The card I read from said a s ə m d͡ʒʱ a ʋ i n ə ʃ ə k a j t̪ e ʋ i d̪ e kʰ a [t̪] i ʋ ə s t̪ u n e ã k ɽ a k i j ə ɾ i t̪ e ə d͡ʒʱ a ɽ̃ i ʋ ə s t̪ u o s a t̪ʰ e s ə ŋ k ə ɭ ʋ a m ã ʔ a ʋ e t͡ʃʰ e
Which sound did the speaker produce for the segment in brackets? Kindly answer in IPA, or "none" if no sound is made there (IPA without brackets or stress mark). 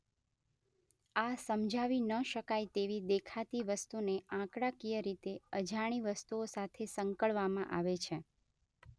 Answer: t̪